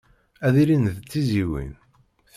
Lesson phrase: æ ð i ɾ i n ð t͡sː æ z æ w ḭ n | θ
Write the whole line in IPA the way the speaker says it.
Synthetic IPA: æ ð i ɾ i n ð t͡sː i z i w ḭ n | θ